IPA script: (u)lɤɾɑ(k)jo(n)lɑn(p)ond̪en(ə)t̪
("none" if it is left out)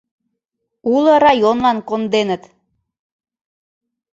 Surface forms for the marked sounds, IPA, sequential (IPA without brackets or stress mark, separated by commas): u, none, n, k, ə